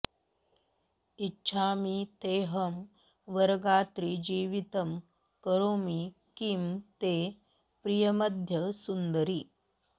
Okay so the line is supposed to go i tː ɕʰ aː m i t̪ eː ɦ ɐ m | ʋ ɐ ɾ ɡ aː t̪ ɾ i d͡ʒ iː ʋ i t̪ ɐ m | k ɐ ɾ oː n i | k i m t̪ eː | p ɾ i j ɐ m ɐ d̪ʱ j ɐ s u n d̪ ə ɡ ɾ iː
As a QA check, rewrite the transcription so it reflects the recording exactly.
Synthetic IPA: i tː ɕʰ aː m i t̪ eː ɦ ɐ m | ʋ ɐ ɾ ɡ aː t̪ ɾ i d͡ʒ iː ʋ i t̪ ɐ m | k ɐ ɾ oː m i | k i m t̪ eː | p ɾ i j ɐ m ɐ d̪ʱ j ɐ s u n d̪ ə ɾ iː

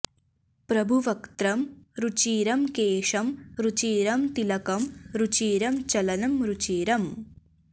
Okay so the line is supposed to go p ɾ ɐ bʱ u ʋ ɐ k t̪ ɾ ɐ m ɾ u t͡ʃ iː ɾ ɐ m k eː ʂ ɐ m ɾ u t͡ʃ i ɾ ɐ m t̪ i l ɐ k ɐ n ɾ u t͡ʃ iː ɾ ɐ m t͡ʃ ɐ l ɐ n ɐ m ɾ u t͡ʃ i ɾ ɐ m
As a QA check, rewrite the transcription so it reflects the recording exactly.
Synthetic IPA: p ɾ ɐ bʱ u ʋ ɐ k t̪ ɾ ɐ m ɾ u t͡ʃ iː ɾ ɐ m k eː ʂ ɐ m ɾ u t͡ʃ iː ɾ ɐ m t̪ i l ɐ k ɐ m ɾ u t͡ʃ iː ɾ ɐ m t͡ʃ ɐ l ɐ n ɐ m ɾ u t͡ʃ iː ɾ ɐ m

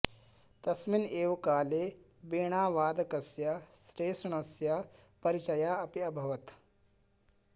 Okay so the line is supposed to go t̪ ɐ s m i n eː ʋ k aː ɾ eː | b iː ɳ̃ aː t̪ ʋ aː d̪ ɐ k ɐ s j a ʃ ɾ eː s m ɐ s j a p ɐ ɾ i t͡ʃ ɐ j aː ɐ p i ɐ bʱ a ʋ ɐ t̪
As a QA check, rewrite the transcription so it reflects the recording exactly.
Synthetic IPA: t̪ ɐ s m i n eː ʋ k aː l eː | b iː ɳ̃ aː ʋ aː d̪ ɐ k ɐ s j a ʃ ɾ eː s ɳ ɐ s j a p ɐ ɾ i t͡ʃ ɐ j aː ɐ p i ɐ bʱ ɐ ʋ ɐ t̪

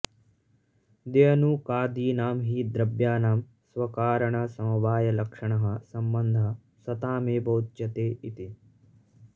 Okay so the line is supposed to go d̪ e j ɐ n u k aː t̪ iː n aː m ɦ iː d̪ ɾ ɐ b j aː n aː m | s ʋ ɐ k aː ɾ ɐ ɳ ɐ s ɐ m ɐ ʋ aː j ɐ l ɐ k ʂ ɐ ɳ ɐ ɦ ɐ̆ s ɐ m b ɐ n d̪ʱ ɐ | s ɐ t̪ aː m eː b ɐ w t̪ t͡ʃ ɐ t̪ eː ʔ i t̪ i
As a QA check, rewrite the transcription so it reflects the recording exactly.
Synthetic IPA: d̪ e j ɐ n u k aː d̪ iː n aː m ɦ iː d̪ ɾ ɐ b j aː n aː m | s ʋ ɐ k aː ɾ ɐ ɳ ɐ s ɐ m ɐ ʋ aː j ɐ l ɐ k ʂ ɐ ɳ ɐ ɦ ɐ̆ s ɐ m b ɐ n d̪ʱ ɐ | s ɐ t̪ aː m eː b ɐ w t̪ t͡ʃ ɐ t̪ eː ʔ i t̪ i

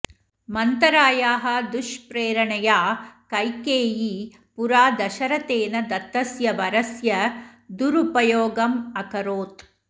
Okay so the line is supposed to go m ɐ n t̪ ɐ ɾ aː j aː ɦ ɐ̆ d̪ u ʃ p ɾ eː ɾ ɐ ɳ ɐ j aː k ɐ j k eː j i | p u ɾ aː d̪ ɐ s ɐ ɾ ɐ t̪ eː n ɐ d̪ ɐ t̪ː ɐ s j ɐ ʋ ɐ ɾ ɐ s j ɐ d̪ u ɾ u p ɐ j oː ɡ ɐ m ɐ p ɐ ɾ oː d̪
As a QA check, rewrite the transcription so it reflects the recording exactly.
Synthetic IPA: m ɐ n t̪ ɐ ɾ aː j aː ɦ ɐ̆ d̪ u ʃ p ɾ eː ɾ ɐ ɳ ɐ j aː k ɐ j k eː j i | p u ɾ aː d̪ ɐ ʃ ɐ ɾ ɐ t̪ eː n ɐ d̪ ɐ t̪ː ɐ s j ɐ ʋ ɐ ɾ ɐ s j ɐ d̪ u ɾ u p ɐ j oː ɡ ɐ m ɐ k ɐ ɾ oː t̪

